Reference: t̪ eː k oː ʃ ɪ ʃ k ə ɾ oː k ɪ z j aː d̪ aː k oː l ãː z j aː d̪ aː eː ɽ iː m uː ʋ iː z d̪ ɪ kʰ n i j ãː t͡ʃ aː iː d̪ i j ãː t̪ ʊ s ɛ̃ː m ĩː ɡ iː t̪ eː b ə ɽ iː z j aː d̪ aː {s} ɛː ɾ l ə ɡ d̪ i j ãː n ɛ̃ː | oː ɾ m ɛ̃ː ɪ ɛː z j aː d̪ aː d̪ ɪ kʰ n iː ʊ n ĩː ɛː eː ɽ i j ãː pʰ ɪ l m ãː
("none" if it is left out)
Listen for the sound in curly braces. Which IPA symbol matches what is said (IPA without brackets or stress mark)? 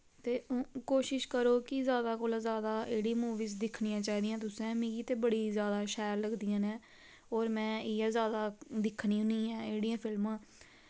ʃ